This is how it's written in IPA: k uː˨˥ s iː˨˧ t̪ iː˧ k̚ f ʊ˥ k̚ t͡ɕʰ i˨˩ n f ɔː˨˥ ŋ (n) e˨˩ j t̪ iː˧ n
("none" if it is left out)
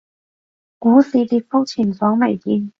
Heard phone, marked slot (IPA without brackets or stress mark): m